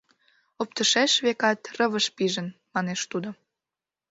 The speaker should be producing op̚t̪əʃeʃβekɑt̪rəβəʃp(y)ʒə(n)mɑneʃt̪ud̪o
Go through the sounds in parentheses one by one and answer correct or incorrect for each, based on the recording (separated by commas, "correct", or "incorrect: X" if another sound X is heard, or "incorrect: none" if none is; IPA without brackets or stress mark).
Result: incorrect: i, correct